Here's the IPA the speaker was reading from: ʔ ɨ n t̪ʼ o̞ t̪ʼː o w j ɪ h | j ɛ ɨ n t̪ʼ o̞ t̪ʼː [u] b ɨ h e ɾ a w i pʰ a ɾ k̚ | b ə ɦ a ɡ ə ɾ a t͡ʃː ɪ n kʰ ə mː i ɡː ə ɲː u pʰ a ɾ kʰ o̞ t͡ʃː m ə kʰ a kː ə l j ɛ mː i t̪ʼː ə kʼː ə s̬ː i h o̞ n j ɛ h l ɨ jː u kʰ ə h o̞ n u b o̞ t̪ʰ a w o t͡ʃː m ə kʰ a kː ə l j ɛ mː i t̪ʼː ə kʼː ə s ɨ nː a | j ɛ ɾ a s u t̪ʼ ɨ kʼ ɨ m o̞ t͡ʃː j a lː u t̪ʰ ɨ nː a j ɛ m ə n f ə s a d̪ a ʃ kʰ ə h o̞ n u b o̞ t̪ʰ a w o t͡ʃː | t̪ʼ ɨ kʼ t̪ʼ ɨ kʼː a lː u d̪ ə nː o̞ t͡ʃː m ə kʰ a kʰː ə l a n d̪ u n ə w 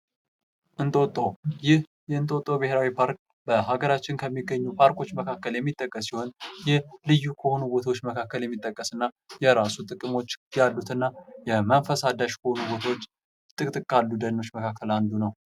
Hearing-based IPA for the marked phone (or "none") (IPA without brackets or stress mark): o